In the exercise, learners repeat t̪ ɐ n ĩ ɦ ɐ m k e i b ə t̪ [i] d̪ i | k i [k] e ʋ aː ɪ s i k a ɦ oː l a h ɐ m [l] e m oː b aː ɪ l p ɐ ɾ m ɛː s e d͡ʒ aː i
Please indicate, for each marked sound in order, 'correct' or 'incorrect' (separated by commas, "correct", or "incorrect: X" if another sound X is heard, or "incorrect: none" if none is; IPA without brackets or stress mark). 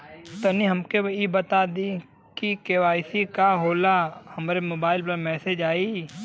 incorrect: a, correct, incorrect: ɾ